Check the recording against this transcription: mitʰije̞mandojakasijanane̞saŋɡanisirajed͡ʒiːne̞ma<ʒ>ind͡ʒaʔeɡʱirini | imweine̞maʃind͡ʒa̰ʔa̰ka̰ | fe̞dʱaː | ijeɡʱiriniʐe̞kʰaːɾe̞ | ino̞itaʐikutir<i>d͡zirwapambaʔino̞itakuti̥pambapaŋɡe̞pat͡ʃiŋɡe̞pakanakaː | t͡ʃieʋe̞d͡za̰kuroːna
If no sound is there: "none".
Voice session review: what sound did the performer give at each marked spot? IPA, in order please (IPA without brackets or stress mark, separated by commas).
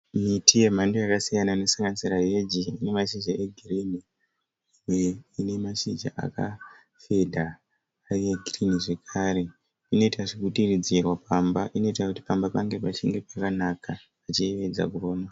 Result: ʃ, i